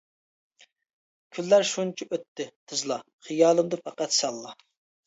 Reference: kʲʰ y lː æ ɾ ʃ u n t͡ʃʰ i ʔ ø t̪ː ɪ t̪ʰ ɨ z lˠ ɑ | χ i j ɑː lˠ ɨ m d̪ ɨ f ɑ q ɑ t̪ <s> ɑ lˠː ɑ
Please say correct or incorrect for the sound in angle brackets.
correct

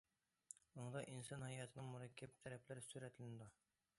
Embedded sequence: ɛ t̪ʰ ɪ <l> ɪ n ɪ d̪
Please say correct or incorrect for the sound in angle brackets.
correct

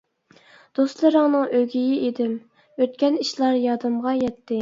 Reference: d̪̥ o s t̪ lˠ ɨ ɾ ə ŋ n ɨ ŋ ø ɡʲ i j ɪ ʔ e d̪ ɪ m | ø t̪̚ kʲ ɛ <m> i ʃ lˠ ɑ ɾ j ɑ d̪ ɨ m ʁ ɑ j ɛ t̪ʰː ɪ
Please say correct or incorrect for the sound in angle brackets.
incorrect: n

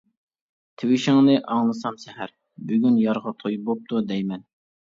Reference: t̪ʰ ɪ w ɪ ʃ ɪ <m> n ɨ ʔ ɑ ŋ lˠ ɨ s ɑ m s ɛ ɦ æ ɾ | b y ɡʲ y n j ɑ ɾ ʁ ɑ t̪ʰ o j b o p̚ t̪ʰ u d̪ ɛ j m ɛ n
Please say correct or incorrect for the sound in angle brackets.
incorrect: ŋ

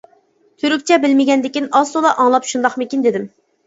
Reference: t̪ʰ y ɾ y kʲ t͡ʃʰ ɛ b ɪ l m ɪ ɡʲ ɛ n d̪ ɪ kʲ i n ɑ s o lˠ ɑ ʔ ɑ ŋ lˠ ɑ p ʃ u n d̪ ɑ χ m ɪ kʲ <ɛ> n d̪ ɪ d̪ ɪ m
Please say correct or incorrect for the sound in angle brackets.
incorrect: i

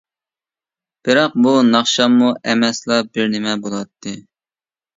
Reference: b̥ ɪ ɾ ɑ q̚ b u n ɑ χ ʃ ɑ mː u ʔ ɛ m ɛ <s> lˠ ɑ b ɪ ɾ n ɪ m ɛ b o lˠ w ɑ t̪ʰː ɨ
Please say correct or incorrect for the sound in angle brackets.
correct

